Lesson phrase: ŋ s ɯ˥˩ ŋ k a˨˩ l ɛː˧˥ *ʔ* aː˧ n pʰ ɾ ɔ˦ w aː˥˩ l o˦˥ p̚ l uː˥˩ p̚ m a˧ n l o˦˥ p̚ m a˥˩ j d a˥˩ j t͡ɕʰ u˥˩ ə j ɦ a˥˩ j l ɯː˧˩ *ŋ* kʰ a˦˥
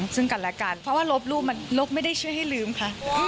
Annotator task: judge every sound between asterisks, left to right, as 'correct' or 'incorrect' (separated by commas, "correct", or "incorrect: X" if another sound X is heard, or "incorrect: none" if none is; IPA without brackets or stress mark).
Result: incorrect: k, incorrect: m